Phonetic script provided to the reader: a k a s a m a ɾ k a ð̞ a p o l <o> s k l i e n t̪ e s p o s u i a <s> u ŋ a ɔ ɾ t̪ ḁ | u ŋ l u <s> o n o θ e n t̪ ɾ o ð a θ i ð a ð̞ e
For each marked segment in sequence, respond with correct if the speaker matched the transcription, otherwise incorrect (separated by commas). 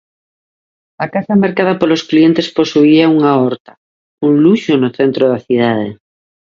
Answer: correct, incorrect, incorrect